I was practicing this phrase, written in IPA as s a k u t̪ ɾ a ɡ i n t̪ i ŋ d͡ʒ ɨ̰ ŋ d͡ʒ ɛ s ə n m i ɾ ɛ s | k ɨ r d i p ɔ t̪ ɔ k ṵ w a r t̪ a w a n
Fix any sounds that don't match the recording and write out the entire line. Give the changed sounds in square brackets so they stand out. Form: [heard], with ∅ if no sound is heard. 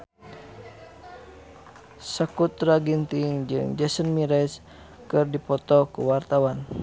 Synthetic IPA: s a k u t̪ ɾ a ɡ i n t̪ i ŋ d͡ʒ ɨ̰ ŋ d͡ʒ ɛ s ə n m i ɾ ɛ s | k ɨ r d i p ɔ t̪ ɔ k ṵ w a r t̪ a w a n